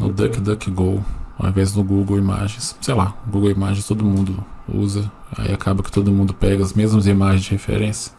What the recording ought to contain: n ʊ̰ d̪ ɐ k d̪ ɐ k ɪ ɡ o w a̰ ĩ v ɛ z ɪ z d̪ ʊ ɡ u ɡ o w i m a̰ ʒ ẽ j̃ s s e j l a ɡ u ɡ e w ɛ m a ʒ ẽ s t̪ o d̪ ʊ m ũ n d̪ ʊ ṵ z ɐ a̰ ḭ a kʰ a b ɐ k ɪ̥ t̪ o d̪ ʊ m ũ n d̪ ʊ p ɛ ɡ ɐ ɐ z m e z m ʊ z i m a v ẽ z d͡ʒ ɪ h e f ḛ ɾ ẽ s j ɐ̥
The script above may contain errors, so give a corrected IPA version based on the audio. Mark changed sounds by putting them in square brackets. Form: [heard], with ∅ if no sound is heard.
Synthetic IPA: n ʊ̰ d̪ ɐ k d̪ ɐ k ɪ ɡ o w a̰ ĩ v ɛ z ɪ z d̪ ʊ ɡ u ɡ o w i m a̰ ʒ ẽ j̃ s s e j l a ɡ u ɡ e w [i] m a ʒ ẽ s t̪ o d̪ ʊ m ũ n d̪ ʊ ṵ z ɐ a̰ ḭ a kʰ a b ɐ k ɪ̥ t̪ o d̪ ʊ m ũ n d̪ ʊ p ɛ ɡ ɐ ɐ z m e z m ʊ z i m a [ʒ] ẽ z d͡ʒ ɪ h e f ḛ ɾ ẽ s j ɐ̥